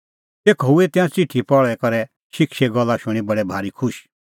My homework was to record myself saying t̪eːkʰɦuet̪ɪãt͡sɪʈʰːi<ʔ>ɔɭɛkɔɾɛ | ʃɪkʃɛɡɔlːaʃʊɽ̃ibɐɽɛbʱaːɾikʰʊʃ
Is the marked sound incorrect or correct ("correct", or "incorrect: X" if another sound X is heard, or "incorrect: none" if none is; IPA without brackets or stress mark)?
incorrect: p